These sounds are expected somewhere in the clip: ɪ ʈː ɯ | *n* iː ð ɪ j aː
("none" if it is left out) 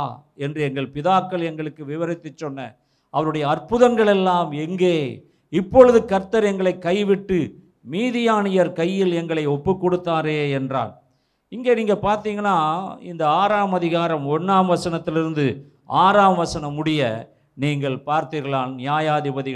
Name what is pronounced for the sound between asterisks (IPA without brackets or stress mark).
m